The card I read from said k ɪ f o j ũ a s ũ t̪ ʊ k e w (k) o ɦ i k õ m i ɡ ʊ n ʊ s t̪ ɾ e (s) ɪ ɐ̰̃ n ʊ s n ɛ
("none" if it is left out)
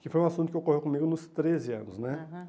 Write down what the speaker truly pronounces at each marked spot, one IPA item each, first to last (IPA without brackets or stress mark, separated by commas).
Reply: k, z